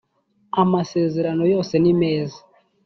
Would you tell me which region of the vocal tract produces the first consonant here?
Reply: lips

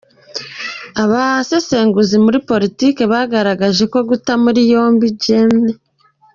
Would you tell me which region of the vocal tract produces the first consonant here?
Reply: lips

